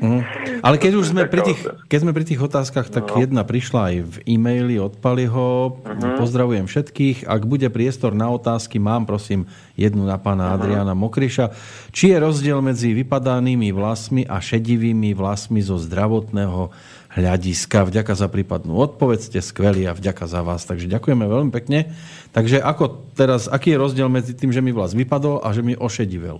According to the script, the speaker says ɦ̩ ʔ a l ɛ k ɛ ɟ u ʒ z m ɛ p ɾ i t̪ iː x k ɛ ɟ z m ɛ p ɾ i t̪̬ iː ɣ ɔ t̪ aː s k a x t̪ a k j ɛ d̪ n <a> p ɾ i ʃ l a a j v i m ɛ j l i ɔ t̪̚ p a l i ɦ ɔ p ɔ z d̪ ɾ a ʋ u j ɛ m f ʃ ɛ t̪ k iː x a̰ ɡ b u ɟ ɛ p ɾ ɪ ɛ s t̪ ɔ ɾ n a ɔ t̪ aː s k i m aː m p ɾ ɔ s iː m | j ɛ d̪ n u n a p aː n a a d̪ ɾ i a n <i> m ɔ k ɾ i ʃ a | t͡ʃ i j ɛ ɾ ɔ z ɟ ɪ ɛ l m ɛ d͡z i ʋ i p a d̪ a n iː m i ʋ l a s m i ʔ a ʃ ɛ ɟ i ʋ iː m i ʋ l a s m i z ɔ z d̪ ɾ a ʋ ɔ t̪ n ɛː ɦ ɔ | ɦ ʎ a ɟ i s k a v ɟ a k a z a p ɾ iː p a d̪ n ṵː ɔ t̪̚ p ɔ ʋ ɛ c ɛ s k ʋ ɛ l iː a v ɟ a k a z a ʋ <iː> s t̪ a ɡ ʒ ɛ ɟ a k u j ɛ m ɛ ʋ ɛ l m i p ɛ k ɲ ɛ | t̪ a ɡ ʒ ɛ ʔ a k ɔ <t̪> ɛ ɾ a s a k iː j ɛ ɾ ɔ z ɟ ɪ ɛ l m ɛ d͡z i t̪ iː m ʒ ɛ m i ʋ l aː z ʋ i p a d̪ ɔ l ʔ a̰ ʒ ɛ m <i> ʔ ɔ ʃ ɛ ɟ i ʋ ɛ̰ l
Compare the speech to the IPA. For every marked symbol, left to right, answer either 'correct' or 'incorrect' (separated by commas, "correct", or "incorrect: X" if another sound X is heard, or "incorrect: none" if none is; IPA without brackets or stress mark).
correct, incorrect: a, incorrect: aː, correct, correct